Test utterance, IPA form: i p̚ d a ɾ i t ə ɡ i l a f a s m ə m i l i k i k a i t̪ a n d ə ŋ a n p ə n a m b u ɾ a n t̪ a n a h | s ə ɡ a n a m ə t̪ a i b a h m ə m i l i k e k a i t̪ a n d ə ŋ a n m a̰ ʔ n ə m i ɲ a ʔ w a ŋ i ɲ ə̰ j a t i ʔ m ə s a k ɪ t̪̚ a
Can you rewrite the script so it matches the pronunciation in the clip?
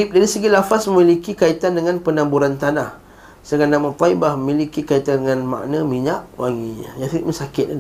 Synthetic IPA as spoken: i p̚ d a ɾ i s ə ɡ i l a f a s m ə m i l i k i k a i t̪ a n d ə ŋ a n p ə n a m b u ɾ a n t̪ a n a h | s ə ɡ a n a m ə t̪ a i b a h m ə m i l i k i k a i t̪ a n d ə ŋ a n m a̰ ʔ n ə m i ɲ a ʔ w a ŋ i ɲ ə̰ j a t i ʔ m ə s a k ɪ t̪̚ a